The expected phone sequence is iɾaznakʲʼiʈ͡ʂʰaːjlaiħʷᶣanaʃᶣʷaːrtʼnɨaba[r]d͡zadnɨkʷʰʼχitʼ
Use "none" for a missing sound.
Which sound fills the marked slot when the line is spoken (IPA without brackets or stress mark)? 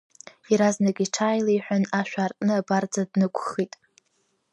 r